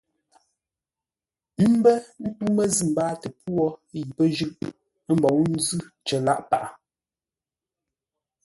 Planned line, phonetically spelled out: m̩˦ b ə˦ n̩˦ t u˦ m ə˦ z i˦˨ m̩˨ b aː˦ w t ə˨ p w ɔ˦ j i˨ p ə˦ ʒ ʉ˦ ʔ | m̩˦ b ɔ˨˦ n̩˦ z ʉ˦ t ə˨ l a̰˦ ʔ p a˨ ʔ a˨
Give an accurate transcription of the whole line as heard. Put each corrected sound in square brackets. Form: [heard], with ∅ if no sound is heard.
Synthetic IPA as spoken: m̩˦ b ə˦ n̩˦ t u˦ m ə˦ z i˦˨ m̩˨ b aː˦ [∅] t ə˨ p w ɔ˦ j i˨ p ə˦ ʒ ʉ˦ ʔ | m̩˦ b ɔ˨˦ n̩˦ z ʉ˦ [t͡ʃ] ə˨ l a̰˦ ʔ p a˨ ʔ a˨